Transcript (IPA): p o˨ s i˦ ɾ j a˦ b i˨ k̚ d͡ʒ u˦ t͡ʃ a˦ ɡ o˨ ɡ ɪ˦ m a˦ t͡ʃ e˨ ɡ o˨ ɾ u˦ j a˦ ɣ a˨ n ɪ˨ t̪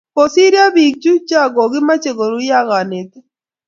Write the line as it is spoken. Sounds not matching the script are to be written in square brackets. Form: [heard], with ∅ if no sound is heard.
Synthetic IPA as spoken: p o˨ s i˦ ɾ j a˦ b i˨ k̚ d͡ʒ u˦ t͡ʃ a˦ ɡ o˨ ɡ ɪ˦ m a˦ t͡ʃ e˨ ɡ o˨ ɾ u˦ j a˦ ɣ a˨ n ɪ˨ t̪